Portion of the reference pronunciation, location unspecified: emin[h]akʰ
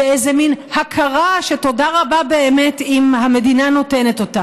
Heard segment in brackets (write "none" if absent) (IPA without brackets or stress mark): h